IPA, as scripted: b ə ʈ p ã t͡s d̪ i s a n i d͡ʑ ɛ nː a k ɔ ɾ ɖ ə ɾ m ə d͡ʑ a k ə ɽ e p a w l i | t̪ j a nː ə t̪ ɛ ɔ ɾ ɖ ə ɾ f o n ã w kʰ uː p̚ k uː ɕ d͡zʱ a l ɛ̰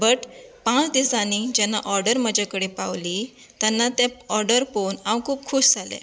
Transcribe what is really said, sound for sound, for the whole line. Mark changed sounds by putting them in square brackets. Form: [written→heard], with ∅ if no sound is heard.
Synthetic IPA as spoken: b ə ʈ p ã t͡s d̪ i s a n i d͡ʑ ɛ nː a [k→ʔ] ɔ ɾ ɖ ə ɾ m ə d͡ʑ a k ə ɽ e p a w l i | t̪ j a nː [ə→a] t̪ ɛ ɔ ɾ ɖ ə ɾ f o n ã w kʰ uː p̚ [k→kʰ] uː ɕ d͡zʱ a l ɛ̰